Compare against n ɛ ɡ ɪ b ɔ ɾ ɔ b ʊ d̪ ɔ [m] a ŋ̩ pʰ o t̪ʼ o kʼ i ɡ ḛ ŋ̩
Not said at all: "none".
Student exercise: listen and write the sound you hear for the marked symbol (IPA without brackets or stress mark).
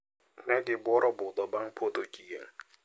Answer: b